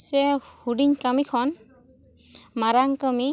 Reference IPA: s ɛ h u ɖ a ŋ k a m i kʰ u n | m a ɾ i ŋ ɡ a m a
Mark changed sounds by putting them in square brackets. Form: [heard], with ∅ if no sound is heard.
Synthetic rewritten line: s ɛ h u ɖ [i] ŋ k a m i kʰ [ɔ] n | m a ɾ [a] ŋ [k] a m [i]